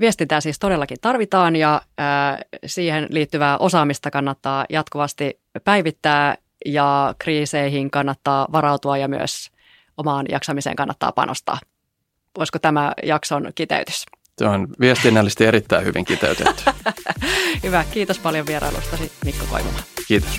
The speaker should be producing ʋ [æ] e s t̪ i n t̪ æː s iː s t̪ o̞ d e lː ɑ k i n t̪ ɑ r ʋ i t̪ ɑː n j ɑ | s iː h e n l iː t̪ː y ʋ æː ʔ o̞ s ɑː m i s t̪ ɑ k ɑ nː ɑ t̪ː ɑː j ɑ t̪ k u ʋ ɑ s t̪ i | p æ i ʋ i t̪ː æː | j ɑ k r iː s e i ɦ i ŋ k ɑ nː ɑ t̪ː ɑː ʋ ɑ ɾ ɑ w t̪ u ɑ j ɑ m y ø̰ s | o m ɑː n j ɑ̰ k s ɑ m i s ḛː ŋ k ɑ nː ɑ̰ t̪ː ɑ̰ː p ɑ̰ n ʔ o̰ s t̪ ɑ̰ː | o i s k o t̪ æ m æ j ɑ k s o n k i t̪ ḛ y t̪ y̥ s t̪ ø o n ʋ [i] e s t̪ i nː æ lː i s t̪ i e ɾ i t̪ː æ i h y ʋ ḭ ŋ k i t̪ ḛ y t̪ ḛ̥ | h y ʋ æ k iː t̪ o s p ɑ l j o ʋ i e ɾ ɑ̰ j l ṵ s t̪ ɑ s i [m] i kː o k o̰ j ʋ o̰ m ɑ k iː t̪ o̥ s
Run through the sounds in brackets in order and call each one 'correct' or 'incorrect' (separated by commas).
incorrect, correct, correct